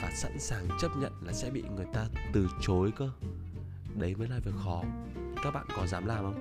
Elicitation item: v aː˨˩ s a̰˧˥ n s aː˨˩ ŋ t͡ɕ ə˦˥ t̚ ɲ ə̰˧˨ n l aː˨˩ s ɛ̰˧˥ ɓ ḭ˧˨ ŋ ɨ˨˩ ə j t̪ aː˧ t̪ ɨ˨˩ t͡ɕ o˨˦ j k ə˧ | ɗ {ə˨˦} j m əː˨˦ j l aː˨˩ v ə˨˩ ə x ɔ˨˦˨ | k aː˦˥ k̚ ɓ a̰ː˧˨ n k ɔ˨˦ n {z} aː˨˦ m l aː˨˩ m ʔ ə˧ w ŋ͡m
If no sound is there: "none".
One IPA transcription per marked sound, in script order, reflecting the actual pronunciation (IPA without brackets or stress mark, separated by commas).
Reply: ə˨˦, z